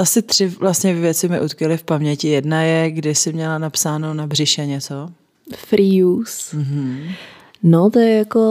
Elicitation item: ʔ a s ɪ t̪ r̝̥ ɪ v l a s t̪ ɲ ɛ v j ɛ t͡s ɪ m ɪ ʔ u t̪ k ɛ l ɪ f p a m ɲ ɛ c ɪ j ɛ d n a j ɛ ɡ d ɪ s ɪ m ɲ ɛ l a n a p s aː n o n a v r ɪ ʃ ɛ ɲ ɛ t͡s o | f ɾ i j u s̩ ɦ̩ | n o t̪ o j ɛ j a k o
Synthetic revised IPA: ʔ a s ɪ t̪ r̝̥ ɪ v l a s t̪ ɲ ɛ v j ɛ t͡s ɪ m ɪ ʔ u t̪ k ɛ l ɪ f p a m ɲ ɛ c ɪ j ɛ d n a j ɛ ɡ d ɪ s ɪ m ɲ ɛ l a n a p s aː n o n a b r ɪ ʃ ɛ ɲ ɛ t͡s o | f ɾ i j u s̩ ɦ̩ | n o t̪ o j ɛ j a k o